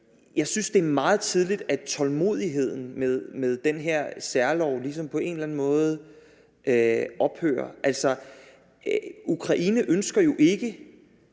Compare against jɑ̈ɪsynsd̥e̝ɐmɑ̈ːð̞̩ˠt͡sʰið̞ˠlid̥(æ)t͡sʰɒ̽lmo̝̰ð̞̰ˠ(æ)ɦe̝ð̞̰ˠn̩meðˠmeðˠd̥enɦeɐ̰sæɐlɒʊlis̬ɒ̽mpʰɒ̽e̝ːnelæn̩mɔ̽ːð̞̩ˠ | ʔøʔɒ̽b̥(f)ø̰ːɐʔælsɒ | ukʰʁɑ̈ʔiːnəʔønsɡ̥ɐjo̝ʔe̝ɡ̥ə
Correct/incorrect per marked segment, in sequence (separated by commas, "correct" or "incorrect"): correct, incorrect, incorrect